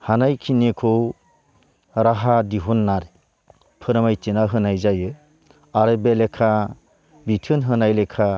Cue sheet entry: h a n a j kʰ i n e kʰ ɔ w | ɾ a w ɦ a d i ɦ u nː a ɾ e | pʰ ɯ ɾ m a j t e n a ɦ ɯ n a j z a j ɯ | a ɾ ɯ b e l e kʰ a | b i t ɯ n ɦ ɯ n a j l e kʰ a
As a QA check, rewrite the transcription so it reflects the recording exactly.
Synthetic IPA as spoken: h a n a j kʰ i n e kʰ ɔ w | ɾ a ɦ a d i ɦ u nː a ɾ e | pʰ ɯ ɾ m a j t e n a ɦ ɯ n a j z a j ɯ | a ɾ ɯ b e l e kʰ a | b i tʰ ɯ n ɦ ɯ n a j l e kʰ a